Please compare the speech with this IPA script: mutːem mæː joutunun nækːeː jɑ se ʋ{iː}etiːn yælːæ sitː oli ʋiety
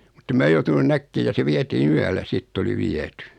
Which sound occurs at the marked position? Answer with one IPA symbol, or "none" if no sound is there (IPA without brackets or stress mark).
i